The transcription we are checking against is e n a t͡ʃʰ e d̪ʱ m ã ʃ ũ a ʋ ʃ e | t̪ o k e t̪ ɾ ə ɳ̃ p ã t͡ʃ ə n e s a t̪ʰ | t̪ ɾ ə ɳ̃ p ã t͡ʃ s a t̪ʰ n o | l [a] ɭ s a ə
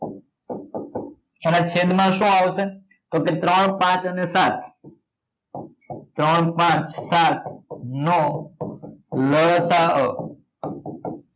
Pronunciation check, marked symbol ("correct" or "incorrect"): incorrect